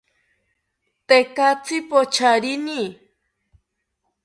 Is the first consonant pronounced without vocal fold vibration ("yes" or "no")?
yes